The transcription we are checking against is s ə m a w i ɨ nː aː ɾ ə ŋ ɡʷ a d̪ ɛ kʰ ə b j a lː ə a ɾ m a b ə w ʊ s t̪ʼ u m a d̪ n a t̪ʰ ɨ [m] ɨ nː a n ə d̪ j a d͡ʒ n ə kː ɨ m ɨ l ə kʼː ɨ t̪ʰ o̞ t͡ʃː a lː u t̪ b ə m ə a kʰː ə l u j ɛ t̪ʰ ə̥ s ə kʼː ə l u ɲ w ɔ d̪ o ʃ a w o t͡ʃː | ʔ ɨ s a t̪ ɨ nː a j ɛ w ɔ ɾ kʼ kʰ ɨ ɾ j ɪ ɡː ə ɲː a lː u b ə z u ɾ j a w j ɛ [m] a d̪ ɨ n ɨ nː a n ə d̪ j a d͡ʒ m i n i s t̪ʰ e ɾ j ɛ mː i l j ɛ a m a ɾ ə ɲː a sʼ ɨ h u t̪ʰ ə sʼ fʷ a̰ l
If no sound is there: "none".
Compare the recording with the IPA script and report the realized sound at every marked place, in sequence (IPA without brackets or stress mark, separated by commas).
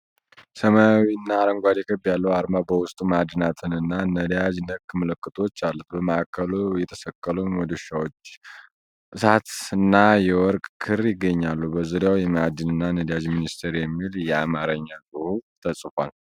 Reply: n, m